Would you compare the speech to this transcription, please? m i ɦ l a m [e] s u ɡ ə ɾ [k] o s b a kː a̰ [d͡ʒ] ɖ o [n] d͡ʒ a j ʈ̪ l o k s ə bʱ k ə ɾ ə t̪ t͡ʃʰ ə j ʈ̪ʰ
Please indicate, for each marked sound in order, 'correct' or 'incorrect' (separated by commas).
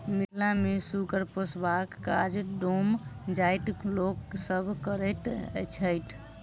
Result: correct, incorrect, correct, incorrect